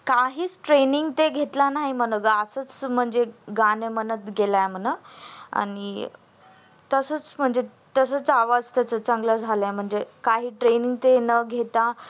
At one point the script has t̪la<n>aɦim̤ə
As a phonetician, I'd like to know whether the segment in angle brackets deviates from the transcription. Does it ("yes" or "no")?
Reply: no